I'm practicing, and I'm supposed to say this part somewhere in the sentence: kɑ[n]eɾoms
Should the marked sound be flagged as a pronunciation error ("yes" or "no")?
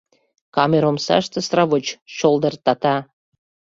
yes